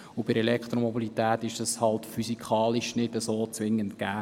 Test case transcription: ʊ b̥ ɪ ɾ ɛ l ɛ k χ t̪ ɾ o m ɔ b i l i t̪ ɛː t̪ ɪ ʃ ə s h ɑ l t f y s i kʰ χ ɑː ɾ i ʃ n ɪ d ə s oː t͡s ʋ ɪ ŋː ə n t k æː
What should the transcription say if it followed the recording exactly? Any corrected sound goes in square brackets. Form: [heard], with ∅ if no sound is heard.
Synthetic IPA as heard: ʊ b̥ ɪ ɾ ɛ l ɛ k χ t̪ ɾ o m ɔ b i l i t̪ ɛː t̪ ɪ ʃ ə s h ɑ l t f y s i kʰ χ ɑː [l] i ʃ n ɪ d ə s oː t͡s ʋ ɪ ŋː ə n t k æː